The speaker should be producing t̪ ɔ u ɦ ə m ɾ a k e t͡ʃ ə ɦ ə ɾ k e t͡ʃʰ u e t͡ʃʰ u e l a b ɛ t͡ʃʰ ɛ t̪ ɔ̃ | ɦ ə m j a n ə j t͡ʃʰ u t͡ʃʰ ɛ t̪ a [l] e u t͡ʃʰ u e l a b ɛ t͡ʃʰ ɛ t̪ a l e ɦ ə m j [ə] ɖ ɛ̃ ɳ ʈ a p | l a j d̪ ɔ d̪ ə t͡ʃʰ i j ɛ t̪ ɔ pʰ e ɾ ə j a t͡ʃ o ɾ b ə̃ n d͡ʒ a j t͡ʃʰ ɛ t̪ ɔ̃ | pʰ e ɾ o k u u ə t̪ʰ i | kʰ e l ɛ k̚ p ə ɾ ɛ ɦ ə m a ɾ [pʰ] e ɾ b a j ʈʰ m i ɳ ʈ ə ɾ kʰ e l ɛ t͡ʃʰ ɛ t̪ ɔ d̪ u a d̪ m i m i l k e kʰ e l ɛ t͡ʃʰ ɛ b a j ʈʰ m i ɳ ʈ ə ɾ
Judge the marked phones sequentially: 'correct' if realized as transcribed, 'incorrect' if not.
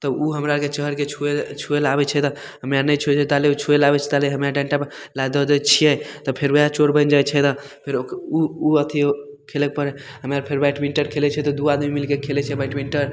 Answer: correct, incorrect: a, correct

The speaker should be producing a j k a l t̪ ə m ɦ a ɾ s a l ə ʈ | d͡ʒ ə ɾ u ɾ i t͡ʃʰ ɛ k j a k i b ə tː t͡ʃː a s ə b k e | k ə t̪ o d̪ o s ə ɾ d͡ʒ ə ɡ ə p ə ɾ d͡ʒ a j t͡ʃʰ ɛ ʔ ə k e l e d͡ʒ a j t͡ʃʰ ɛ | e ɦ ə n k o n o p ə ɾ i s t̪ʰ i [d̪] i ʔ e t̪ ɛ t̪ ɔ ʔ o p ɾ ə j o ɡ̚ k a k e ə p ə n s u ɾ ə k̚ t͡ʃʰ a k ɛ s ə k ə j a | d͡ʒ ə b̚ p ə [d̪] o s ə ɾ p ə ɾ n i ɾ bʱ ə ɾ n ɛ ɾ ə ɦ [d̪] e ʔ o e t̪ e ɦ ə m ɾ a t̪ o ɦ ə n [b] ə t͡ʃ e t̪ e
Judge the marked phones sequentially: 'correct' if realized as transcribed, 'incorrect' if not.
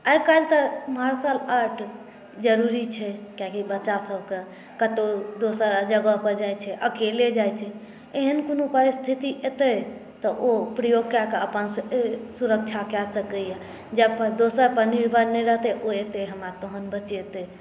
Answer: incorrect: t̪, correct, incorrect: t̪, correct

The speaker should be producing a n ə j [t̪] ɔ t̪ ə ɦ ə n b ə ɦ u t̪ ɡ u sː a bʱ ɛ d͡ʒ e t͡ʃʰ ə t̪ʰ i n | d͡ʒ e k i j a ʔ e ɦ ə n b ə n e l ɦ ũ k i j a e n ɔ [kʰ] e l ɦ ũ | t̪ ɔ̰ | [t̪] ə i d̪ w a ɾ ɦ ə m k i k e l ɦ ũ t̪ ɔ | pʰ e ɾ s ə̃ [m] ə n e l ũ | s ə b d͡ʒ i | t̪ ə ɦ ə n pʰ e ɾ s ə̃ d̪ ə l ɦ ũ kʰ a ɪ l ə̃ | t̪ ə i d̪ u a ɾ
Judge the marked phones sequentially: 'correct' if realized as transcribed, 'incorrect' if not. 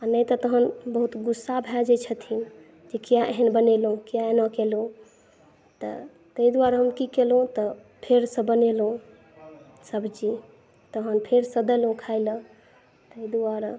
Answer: correct, incorrect: k, correct, incorrect: b

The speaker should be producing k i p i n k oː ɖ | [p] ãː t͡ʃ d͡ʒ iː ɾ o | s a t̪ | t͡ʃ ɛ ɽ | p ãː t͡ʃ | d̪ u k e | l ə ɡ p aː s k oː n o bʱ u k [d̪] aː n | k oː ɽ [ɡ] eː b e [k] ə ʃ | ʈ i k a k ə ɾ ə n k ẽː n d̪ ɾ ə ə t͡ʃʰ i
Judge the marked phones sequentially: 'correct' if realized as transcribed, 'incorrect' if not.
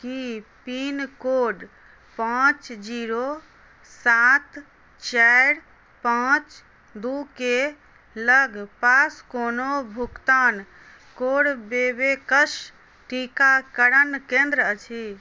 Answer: correct, incorrect: t̪, incorrect: b, correct

